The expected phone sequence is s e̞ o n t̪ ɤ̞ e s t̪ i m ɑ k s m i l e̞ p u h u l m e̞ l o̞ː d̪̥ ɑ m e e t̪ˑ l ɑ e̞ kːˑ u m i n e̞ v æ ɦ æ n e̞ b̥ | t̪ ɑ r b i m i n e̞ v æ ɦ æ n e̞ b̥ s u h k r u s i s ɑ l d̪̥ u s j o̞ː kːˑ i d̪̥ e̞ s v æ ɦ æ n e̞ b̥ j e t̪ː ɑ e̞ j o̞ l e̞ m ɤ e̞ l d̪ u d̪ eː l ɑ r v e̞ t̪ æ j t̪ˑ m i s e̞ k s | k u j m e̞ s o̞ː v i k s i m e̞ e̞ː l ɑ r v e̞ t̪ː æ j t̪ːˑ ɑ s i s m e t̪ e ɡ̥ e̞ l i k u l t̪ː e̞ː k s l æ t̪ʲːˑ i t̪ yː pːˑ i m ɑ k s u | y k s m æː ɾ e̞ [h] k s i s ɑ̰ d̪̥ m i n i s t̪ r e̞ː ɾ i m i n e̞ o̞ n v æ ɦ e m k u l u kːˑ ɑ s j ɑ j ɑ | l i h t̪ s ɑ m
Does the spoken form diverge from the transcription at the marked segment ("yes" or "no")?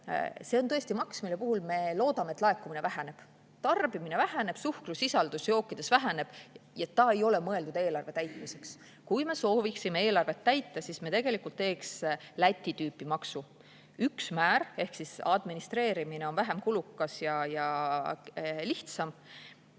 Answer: no